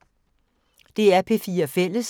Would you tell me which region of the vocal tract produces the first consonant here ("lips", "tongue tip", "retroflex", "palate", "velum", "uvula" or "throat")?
tongue tip